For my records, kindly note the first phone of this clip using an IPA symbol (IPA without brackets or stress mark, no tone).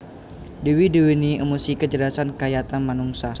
d